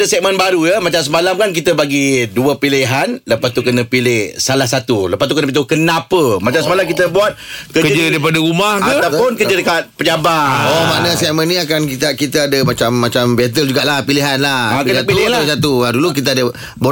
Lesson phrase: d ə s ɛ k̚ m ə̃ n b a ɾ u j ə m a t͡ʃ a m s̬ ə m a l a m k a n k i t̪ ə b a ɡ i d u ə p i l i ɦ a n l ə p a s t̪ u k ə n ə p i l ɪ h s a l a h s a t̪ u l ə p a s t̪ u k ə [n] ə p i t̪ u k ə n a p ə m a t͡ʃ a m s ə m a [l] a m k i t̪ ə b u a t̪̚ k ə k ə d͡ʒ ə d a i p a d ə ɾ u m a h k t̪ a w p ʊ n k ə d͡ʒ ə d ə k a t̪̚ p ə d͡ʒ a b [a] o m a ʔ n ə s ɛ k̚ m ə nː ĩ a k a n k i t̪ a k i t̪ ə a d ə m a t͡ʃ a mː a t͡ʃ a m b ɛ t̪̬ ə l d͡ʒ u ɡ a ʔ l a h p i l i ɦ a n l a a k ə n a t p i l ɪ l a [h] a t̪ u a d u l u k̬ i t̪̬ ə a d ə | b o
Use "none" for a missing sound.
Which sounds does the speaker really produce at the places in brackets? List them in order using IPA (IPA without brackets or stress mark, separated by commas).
n, l, a, s